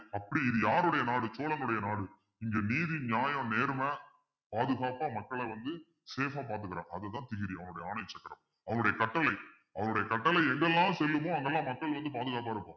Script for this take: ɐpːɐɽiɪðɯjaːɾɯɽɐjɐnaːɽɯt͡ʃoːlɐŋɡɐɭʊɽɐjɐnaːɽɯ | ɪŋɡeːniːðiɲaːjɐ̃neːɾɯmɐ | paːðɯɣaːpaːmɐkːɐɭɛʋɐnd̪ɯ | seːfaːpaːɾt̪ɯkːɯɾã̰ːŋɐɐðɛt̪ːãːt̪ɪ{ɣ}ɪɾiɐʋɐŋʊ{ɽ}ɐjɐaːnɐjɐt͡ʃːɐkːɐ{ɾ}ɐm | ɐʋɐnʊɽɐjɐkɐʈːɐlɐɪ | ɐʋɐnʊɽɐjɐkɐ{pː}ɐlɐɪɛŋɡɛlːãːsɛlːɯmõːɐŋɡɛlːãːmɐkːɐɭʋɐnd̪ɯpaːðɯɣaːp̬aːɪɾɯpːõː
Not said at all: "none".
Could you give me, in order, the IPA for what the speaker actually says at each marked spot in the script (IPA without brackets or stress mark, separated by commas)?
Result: ɣ, ɽ, ɾ, ʈː